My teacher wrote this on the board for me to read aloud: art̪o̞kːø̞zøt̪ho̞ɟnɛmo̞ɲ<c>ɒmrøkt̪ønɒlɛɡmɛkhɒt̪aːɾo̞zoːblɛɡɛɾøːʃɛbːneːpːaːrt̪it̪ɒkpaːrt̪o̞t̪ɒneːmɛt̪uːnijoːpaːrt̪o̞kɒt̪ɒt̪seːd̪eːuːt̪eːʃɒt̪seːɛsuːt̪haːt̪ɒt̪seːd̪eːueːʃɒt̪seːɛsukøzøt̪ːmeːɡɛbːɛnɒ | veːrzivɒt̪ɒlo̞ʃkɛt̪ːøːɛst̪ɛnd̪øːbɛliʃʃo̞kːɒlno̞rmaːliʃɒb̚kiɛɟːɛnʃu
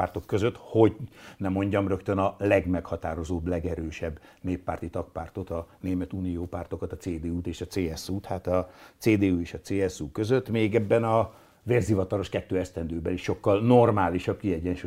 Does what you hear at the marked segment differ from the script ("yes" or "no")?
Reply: yes